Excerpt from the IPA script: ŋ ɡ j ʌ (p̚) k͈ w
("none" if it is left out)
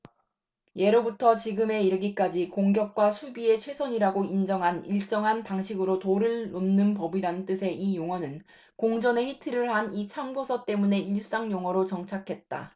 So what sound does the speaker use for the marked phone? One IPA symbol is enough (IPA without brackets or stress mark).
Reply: k̚